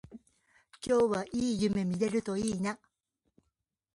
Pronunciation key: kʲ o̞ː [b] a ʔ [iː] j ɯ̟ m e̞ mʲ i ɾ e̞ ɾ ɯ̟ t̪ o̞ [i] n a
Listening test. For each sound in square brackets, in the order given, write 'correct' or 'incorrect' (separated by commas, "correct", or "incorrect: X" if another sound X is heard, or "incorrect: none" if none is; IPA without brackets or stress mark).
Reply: incorrect: β, correct, incorrect: iː